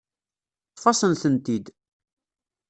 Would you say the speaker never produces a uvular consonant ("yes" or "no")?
yes